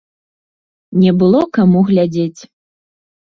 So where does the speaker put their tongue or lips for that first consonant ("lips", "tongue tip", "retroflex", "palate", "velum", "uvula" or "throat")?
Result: tongue tip